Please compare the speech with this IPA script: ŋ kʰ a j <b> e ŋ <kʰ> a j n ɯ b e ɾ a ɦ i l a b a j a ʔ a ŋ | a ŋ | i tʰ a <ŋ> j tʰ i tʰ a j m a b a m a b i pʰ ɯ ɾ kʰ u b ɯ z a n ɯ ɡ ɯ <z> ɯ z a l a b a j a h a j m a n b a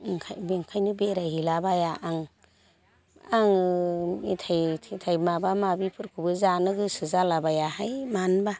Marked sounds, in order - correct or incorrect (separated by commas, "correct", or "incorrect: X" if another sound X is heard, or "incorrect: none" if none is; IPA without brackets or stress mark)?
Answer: correct, correct, incorrect: none, incorrect: s